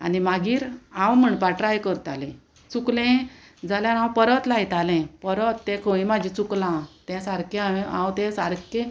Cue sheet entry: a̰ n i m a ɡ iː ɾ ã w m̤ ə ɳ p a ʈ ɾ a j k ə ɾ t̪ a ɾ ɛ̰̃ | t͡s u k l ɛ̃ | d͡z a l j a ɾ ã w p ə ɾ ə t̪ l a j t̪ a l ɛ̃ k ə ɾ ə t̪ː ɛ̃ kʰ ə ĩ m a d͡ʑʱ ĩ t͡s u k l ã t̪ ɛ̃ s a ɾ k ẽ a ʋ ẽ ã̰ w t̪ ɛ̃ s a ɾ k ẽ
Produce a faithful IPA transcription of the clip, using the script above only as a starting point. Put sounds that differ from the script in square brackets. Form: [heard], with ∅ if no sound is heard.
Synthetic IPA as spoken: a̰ n i m a ɡ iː ɾ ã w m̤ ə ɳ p a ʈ ɾ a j k ə ɾ t̪ a [l] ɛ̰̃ | t͡s u k l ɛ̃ | d͡z a l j a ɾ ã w p ə ɾ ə t̪ l a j t̪ a l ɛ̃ [p] ə ɾ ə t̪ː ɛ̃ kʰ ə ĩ m a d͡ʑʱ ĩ t͡s u k l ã t̪ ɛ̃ s a ɾ k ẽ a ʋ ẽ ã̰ w t̪ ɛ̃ s a ɾ k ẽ